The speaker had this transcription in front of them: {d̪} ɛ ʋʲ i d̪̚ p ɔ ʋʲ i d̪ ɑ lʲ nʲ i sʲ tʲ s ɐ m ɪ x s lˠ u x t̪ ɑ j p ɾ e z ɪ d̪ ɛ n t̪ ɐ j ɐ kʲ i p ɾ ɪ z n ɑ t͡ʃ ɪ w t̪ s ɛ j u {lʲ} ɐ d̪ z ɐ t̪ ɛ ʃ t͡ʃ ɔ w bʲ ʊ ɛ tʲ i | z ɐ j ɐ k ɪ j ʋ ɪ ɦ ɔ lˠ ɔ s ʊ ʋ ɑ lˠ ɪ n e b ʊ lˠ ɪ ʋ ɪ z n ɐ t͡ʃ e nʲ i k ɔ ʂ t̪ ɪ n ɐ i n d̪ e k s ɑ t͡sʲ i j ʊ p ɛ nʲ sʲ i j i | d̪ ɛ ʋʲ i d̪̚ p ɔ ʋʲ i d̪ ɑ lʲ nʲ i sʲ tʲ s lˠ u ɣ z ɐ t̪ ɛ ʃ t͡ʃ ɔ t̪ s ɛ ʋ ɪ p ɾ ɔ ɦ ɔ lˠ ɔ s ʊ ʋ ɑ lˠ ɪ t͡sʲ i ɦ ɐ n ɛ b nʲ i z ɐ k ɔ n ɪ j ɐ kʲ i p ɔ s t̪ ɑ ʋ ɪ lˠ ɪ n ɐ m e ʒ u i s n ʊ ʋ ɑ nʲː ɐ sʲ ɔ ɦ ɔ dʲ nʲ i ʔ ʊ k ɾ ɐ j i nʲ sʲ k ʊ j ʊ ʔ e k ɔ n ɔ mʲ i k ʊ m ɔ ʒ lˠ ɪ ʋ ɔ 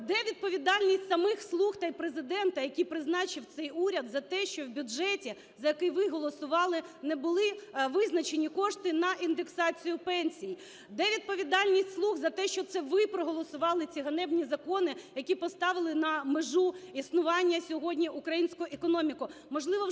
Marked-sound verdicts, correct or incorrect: correct, incorrect

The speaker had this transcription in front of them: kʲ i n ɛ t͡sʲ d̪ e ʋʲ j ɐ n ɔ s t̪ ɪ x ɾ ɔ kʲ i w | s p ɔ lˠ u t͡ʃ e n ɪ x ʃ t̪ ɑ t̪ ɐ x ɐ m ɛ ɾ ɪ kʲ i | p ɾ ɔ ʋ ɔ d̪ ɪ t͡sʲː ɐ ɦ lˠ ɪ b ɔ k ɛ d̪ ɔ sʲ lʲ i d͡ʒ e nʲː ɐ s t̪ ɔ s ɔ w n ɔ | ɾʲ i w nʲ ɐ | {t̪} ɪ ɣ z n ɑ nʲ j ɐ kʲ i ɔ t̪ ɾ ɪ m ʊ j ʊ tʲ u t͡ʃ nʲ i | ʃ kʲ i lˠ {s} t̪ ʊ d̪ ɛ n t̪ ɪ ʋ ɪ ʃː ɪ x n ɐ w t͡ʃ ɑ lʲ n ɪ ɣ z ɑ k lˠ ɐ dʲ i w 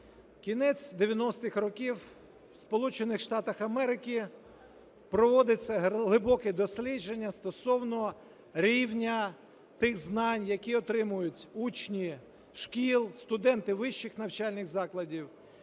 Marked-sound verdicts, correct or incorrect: correct, correct

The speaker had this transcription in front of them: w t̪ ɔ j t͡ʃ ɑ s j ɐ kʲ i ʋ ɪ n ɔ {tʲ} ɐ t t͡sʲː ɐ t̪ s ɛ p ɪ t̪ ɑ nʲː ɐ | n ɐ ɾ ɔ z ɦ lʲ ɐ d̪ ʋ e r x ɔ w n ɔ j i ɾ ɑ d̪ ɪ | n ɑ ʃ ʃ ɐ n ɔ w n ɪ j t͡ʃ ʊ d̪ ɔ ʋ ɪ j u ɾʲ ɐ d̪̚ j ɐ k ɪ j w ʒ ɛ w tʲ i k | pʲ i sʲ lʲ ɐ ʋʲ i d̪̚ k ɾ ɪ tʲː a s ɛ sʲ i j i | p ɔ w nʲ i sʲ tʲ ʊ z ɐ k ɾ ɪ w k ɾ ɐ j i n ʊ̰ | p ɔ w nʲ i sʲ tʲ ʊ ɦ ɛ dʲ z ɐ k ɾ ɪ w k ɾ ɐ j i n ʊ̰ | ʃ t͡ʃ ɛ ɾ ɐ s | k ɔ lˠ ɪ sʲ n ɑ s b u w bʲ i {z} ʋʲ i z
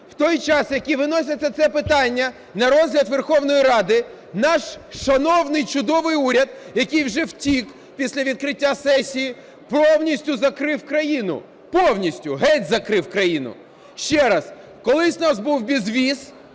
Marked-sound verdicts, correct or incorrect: incorrect, correct

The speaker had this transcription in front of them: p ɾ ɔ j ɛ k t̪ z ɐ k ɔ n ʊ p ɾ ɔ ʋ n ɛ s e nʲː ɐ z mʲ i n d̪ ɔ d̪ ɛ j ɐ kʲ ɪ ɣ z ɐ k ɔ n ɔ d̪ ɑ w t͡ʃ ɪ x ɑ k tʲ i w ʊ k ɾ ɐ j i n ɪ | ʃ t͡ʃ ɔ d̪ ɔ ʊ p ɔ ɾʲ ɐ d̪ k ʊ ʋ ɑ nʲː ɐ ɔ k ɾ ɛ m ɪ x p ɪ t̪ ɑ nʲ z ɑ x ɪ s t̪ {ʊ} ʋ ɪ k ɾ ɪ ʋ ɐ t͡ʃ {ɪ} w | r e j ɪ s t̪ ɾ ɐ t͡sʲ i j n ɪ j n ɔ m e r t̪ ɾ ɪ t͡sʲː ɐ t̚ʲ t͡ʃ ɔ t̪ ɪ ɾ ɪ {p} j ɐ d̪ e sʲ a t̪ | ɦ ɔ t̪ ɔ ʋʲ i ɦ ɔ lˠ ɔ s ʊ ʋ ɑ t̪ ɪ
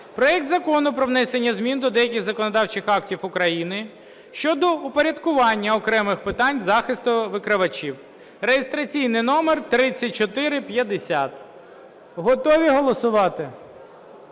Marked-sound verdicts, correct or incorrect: correct, incorrect, correct

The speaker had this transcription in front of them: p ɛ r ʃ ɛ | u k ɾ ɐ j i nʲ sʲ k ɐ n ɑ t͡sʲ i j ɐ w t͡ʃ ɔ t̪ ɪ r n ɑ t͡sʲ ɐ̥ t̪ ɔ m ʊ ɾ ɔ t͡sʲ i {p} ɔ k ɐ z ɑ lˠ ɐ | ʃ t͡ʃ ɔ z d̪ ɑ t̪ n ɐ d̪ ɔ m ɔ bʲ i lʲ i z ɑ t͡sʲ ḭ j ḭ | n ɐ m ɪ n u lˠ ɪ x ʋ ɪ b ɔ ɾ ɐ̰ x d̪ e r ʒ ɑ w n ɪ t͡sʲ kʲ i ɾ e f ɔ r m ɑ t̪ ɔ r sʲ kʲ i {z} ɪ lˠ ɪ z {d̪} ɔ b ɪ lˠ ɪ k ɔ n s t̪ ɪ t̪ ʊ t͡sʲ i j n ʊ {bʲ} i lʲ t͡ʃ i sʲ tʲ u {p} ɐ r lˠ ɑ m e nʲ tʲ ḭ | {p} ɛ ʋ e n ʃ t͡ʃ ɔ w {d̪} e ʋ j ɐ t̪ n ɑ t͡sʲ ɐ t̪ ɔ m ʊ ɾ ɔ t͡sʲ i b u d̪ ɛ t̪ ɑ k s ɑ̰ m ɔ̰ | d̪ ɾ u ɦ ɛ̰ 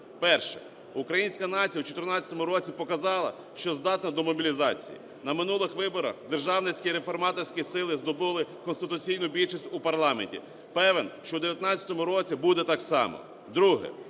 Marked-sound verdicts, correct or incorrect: correct, incorrect, correct, correct, correct, correct, correct

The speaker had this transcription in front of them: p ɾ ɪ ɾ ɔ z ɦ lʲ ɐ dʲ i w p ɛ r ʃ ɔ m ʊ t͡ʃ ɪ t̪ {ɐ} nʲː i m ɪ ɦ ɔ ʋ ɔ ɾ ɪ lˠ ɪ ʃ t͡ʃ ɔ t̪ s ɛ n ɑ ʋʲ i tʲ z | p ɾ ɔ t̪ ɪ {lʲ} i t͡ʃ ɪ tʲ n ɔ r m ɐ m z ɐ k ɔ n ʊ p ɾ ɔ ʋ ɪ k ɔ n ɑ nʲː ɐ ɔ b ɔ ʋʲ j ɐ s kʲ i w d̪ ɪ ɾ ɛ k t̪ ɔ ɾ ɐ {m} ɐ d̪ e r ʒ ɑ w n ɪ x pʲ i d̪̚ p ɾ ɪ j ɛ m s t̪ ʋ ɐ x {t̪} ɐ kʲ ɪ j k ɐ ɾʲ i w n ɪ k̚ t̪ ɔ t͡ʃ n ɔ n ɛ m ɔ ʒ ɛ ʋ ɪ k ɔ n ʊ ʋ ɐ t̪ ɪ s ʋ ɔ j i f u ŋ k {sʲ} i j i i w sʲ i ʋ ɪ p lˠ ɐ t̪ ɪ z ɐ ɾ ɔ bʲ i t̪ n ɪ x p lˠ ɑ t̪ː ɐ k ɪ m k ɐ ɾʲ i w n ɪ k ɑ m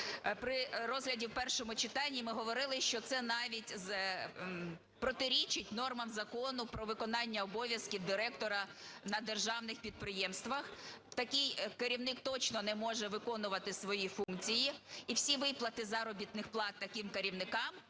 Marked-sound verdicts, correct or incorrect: incorrect, incorrect, incorrect, correct, incorrect

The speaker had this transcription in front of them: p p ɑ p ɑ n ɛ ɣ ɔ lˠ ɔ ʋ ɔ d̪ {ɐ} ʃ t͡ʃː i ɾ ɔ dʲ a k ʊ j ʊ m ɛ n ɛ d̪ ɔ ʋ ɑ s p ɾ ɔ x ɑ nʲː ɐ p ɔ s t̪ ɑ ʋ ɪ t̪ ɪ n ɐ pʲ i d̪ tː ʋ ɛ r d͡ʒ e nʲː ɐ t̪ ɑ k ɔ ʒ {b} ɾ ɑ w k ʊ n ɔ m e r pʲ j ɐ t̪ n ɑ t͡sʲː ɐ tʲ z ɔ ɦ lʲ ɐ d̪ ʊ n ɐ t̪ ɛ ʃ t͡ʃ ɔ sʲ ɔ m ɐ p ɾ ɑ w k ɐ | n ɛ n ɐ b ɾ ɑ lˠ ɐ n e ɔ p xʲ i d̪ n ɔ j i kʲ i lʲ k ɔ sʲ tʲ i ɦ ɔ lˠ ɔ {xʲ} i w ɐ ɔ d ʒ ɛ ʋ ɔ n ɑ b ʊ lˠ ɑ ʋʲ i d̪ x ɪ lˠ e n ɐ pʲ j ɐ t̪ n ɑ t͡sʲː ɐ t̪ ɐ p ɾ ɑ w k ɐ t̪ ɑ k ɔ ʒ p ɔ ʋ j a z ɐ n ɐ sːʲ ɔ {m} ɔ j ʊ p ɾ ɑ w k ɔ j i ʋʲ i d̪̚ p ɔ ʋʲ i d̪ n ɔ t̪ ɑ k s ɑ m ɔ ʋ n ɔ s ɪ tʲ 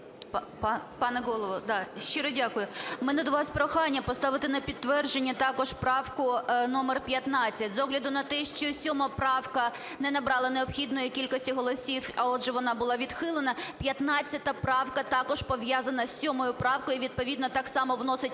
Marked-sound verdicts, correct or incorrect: incorrect, incorrect, incorrect, correct

